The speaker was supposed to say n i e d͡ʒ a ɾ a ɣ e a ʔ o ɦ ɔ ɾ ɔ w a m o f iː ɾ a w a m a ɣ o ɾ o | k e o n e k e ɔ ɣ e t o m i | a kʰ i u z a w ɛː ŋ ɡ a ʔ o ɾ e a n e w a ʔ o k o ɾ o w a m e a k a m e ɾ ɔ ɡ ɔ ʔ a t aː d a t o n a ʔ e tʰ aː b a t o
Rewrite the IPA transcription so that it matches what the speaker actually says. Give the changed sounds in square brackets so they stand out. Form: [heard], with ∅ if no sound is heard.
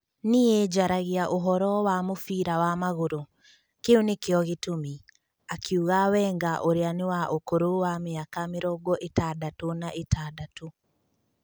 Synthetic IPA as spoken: n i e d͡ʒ a ɾ a ɣ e a ʔ o ɦ ɔ ɾ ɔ w a m o f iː ɾ a w a m a ɣ o ɾ o | k e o n e k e ɔ ɣ e t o m i | a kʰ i u [ɣ] a w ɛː ŋ ɡ a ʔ o ɾ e a n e w a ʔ o k o ɾ o w a m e a k a m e ɾ ɔ ɡ ɔ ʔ [e] t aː d a t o n a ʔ e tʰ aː [d] a t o